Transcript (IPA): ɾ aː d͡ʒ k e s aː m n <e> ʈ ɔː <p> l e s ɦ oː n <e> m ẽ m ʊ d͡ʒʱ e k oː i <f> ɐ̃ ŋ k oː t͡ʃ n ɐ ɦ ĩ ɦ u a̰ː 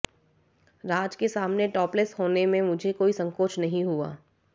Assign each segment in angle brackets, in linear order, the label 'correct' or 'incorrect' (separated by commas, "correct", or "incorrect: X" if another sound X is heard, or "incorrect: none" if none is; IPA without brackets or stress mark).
correct, correct, correct, incorrect: s